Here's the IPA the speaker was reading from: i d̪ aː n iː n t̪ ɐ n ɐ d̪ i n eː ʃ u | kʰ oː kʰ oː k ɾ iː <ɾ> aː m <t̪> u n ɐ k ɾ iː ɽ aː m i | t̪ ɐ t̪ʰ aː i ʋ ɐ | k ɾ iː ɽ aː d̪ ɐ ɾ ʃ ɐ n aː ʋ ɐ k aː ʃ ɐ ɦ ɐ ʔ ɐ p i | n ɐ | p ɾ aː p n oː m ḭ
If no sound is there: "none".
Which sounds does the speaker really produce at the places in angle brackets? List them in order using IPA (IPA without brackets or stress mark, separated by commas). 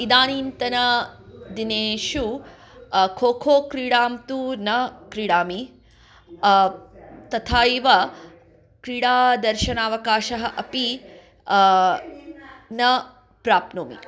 ɽ, t̪